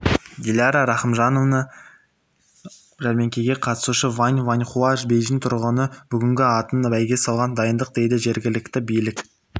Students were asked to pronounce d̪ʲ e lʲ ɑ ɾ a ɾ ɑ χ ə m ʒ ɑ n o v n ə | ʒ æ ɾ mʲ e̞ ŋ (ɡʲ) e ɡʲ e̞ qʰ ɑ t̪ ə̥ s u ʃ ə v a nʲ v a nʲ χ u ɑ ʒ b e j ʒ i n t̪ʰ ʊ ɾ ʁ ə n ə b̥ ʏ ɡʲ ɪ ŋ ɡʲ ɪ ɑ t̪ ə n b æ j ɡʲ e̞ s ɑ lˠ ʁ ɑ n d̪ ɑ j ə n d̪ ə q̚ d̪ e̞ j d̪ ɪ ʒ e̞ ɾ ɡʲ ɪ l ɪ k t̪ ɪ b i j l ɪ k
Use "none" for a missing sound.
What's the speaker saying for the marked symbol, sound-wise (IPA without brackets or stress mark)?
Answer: kʲ